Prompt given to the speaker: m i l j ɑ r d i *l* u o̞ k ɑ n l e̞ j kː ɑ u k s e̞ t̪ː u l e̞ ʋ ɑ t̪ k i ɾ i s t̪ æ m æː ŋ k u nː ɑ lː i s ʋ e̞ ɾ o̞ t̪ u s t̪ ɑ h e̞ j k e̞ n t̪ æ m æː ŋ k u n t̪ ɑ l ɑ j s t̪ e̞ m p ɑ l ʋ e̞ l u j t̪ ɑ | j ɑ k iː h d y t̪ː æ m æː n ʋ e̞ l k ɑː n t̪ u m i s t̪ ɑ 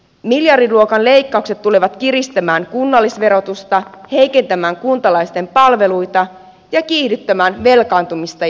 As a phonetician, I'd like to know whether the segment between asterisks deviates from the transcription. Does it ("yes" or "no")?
no